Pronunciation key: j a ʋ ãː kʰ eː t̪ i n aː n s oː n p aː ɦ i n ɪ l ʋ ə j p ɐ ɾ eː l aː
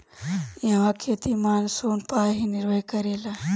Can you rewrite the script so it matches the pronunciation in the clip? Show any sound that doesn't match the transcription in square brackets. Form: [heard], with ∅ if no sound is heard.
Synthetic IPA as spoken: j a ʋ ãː kʰ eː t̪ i [m] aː n s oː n p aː ɦ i n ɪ [ɾ] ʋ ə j [k] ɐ ɾ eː l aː